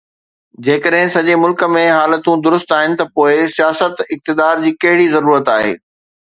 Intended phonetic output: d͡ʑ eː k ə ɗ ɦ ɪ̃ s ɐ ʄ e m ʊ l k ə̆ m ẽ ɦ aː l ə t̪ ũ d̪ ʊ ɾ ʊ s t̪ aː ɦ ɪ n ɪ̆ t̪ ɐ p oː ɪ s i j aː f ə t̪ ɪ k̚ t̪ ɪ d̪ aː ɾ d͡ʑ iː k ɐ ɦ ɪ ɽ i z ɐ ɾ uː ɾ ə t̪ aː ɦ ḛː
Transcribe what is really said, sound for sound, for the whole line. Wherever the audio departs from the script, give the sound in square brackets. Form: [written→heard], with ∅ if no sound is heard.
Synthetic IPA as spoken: d͡ʑ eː k ə ɗ ɦ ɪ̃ s ɐ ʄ e m ʊ l k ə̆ m ẽ ɦ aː l ə t̪ ũ d̪ ʊ ɾ ʊ s t̪ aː ɦ ɪ n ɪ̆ t̪ ɐ p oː ɪ s i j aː [f→s] ə t̪ ɪ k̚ t̪ ɪ d̪ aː ɾ d͡ʑ iː k ɐ ɦ ɪ ɽ i z ɐ ɾ uː ɾ ə t̪ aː ɦ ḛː

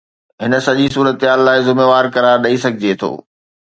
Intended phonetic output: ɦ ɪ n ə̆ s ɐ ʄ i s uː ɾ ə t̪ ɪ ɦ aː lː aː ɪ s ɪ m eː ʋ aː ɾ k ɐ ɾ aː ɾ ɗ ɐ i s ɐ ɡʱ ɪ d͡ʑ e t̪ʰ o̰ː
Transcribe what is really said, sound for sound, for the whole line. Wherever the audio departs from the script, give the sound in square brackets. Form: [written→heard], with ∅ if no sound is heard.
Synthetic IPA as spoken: ɦ ɪ n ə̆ s ɐ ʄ i s uː ɾ ə t̪ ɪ ɦ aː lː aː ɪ [s→z] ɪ m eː ʋ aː ɾ k ɐ ɾ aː ɾ ɗ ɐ i s ɐ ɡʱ ɪ d͡ʑ e t̪ʰ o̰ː

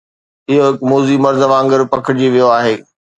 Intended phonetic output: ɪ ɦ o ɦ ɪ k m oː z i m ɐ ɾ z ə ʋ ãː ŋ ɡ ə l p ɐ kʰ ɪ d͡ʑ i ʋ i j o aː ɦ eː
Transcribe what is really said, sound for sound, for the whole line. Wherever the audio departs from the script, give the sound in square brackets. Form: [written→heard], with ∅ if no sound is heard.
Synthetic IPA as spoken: ɪ ɦ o ɦ ɪ k m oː z i m ɐ ɾ z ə ʋ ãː ŋ ɡ ə [l→ɾ] p ɐ kʰ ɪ d͡ʑ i ʋ i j o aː ɦ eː

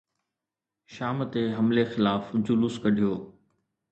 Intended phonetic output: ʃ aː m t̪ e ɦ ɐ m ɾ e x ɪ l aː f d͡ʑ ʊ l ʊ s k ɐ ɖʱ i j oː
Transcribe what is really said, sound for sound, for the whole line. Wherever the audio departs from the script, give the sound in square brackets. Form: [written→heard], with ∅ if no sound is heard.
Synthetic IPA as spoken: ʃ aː m t̪ e ɦ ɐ m [ɾ→l] e x ɪ l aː f d͡ʑ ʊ l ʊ s k ɐ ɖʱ i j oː

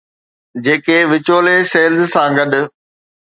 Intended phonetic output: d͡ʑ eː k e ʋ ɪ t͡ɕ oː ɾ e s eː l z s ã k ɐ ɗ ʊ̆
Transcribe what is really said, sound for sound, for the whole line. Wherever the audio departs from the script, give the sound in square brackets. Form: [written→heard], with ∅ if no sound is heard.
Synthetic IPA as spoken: d͡ʑ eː k e ʋ ɪ t͡ɕ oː [ɾ→l] e s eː l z s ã [k→ɡ] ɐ ɗ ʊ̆

